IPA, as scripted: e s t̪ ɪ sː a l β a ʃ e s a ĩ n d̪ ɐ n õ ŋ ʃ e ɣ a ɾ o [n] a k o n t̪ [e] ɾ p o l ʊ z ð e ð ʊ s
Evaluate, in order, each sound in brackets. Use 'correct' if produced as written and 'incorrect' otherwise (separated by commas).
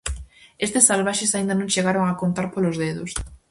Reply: incorrect, incorrect